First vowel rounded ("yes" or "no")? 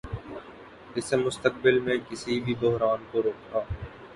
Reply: no